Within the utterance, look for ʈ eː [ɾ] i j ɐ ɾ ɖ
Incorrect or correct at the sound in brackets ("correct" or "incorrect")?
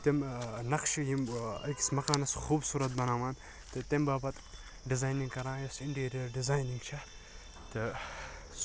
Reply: correct